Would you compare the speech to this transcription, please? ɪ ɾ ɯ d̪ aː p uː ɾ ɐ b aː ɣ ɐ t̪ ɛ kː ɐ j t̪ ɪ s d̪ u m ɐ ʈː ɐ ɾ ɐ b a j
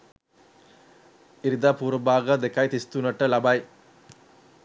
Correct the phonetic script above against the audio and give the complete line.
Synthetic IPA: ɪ ɾ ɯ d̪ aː p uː ɾ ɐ b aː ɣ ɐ d̪ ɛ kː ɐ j t̪ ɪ s t̪ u n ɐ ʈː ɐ l ɐ b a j